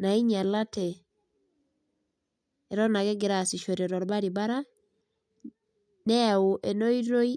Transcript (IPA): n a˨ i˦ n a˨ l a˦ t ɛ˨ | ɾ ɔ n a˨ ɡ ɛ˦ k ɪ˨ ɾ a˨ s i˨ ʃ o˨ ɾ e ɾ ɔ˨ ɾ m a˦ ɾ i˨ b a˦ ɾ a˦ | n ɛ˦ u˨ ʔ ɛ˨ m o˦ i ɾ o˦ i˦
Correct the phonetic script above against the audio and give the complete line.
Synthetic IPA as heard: n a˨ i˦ ɲ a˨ l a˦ t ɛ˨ | ɾ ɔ n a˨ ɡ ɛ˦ ɡ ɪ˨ ɾ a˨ s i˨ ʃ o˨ ɾ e ɾ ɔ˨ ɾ b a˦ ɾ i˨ b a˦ ɾ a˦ | n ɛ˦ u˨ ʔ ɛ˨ n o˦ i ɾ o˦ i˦